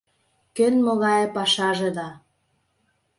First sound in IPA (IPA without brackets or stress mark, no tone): k